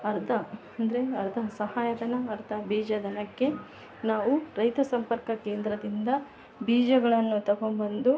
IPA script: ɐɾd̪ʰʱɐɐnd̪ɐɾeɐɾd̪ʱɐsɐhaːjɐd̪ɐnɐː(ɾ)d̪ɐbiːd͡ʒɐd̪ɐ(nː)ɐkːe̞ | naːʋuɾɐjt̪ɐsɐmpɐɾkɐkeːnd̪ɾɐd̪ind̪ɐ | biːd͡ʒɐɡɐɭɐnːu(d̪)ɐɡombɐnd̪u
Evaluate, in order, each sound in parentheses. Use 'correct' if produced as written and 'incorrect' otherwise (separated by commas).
correct, incorrect, incorrect